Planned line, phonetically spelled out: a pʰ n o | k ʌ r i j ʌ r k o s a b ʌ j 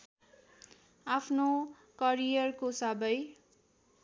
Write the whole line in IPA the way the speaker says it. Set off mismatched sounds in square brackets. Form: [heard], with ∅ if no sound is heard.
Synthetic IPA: a pʰ n o | k ʌ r i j ʌ r k o s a b ʌ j